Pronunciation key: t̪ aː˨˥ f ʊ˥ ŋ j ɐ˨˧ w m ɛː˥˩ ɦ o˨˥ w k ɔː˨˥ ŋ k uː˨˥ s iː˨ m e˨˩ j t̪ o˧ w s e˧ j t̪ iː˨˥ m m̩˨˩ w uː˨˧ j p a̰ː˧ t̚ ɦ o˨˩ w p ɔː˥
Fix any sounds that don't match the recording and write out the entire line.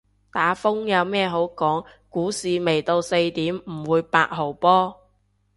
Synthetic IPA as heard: t̪ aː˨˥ f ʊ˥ ŋ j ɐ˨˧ w m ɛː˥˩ ɦ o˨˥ w k ɔː˨˥ ŋ k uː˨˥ s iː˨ m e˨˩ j t̪ o˧ w s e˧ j t̪ iː˨˥ m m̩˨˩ w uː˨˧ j p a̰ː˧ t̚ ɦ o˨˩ w p ɔː˥